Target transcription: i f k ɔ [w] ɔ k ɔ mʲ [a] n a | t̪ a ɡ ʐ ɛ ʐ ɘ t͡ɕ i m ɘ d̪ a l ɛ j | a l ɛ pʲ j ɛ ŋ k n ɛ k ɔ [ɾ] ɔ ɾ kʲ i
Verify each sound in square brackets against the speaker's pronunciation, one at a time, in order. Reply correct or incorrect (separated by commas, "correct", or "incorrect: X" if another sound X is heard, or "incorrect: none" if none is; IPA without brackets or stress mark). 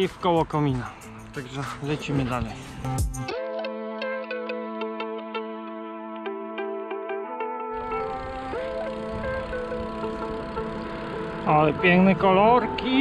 correct, incorrect: i, incorrect: l